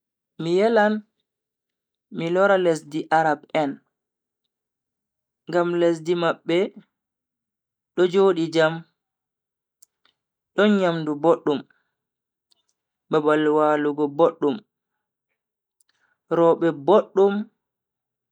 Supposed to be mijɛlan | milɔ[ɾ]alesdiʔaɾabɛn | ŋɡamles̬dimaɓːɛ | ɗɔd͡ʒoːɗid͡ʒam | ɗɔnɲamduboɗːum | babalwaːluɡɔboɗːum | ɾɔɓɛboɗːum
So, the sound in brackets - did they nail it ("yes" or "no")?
yes